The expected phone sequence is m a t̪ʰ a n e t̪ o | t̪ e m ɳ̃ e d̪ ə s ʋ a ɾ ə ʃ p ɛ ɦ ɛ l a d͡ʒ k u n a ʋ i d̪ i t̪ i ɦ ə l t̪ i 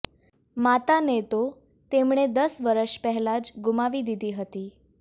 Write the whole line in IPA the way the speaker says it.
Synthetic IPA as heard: m a t̪ a n e t̪ o | t̪ e m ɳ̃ e d̪ ə s ʋ ə ɾ ə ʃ p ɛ ɦ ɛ l a d͡ʒ ɡ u m a ʋ i d̪ i d̪ i ɦ ə t̪ i